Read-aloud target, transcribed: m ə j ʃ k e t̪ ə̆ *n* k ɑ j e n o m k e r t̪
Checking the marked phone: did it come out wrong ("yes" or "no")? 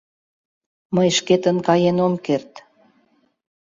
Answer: no